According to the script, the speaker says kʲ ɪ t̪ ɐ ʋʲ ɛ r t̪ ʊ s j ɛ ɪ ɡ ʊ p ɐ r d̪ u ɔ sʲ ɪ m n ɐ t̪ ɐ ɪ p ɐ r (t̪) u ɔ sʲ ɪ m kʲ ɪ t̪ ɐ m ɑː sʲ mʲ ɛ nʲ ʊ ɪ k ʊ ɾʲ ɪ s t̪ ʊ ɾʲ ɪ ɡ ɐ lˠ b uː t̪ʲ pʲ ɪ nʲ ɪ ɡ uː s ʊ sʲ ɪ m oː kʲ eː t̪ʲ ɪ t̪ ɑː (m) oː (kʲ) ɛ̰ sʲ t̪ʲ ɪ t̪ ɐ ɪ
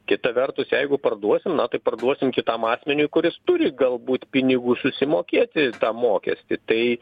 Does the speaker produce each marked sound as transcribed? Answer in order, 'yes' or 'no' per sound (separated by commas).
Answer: no, yes, yes